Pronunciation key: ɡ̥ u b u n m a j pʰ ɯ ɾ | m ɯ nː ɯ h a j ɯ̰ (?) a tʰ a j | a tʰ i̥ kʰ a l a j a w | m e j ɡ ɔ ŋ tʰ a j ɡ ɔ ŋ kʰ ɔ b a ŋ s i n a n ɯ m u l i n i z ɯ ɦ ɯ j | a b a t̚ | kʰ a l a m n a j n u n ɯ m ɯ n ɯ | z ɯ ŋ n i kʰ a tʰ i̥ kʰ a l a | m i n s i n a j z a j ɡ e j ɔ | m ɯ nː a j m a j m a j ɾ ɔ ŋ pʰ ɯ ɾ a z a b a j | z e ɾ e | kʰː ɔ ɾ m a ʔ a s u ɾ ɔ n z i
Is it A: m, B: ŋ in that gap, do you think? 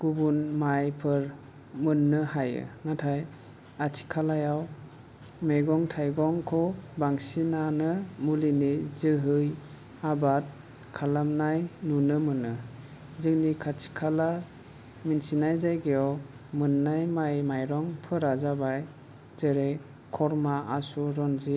B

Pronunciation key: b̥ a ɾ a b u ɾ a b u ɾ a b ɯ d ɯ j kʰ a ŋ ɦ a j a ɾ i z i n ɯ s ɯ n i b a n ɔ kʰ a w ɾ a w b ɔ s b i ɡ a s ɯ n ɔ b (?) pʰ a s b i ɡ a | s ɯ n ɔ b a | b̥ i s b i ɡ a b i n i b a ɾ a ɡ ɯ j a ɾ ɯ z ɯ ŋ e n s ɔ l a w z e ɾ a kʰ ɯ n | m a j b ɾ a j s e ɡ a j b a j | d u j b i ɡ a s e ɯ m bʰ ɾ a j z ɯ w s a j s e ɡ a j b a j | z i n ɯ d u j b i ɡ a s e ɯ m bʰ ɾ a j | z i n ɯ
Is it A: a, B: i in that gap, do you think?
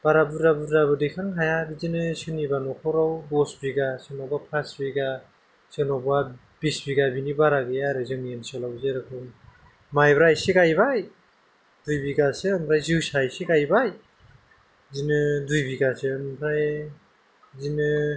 A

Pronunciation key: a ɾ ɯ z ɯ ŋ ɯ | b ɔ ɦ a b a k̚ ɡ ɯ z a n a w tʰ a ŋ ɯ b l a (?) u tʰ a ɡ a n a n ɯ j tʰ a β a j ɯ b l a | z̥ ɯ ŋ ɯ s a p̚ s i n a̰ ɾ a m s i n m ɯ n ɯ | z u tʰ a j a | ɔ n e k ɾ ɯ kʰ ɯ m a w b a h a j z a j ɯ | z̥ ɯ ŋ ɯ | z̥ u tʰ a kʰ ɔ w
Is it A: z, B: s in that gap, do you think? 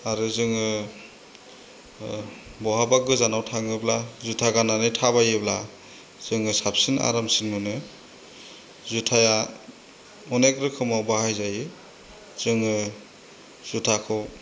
A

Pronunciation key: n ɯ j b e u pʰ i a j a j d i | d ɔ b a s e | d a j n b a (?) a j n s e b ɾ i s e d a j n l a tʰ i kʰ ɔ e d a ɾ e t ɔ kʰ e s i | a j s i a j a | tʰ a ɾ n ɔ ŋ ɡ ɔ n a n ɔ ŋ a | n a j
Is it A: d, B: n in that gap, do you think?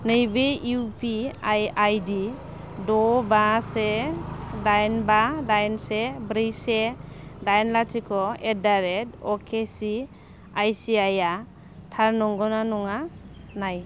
A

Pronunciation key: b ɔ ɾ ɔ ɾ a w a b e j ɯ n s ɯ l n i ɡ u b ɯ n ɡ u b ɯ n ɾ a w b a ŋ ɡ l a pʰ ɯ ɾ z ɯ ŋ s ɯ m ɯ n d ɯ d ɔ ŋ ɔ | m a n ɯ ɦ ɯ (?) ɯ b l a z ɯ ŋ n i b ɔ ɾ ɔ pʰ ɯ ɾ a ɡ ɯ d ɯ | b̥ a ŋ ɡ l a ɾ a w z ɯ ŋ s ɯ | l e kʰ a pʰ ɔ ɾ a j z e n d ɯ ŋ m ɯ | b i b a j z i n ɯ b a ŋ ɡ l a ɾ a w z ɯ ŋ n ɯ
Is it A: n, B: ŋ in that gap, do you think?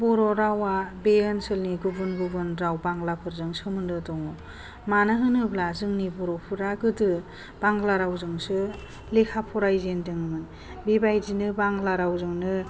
A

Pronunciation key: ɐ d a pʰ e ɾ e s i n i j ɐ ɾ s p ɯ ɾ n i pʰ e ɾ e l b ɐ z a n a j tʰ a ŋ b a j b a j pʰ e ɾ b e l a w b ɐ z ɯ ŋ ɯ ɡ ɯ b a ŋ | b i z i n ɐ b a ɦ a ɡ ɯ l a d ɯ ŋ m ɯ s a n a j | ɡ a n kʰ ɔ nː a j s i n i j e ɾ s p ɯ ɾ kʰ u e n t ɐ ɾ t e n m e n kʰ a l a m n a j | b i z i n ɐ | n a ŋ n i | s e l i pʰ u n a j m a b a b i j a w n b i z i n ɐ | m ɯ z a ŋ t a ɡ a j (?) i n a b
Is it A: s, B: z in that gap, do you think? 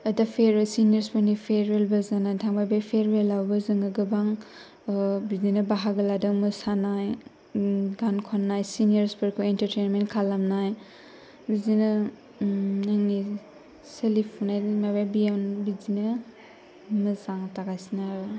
A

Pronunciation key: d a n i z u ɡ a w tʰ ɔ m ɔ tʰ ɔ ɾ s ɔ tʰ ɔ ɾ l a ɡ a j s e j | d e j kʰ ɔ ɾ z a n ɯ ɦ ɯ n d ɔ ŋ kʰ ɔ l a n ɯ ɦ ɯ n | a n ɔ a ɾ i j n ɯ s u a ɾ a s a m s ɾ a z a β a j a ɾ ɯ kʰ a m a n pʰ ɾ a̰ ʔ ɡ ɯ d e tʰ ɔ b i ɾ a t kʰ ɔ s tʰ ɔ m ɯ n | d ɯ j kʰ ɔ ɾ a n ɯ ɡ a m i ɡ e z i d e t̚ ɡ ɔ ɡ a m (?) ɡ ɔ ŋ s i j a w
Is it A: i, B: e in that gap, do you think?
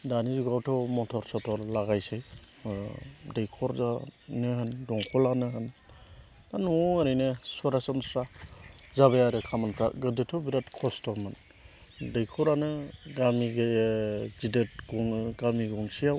A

